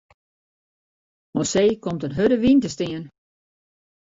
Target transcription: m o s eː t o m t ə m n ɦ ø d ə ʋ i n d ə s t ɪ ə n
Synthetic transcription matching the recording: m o s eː k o m t ə n ɦ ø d ə ʋ i n t ə s t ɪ ə n